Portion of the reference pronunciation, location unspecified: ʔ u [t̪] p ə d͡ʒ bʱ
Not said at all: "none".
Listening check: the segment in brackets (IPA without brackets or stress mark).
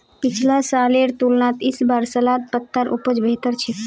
none